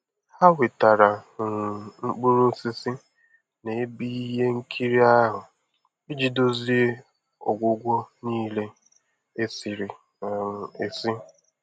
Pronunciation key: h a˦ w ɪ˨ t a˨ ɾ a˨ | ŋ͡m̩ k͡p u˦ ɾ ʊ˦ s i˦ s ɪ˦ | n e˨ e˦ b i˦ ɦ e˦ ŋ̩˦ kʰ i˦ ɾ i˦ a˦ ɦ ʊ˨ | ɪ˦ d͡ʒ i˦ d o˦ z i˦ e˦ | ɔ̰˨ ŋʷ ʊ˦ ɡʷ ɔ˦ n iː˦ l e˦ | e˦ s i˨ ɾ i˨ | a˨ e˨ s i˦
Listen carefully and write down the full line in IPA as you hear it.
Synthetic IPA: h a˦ w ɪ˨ t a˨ ɾ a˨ | ŋ͡m̩ k͡p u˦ ɾ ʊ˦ s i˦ s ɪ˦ | n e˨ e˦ b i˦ ɦ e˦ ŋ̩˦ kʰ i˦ ɾ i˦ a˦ ɦ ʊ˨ | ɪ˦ d͡ʒ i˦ d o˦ z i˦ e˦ | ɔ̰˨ ɡʷ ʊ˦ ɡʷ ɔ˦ n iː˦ l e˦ | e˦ s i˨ ɾ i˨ | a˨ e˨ s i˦